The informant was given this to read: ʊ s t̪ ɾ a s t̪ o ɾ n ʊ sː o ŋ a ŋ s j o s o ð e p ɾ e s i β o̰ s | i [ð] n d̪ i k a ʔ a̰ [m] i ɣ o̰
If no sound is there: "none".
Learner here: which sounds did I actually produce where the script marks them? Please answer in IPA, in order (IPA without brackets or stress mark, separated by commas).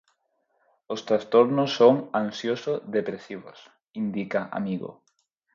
none, m